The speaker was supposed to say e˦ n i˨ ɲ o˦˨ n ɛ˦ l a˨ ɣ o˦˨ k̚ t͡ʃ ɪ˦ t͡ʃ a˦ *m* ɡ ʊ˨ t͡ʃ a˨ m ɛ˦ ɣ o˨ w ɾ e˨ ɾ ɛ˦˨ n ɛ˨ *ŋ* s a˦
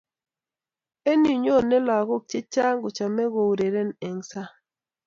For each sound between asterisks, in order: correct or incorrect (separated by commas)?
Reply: incorrect, correct